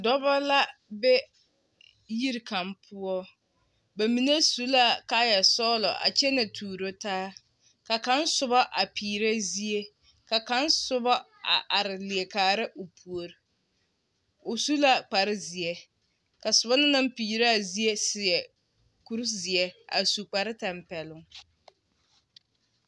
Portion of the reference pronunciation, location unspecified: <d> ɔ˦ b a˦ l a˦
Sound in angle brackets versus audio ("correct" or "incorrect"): correct